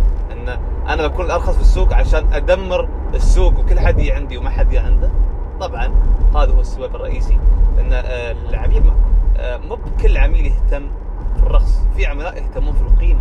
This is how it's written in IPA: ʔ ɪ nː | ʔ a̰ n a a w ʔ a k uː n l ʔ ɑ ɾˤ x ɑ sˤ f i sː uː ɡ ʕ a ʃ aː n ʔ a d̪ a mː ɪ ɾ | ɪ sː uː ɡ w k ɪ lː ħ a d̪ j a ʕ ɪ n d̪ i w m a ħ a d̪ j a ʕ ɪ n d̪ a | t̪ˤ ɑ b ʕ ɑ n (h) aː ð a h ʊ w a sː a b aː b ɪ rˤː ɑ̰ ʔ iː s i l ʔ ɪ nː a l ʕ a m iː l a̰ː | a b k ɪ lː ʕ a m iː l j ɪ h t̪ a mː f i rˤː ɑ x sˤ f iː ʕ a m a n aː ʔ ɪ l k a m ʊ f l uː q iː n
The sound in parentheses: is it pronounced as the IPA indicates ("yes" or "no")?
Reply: yes